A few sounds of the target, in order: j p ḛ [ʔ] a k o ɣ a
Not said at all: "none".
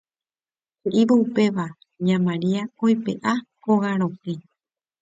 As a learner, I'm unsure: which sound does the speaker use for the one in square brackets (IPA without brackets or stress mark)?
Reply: ʔ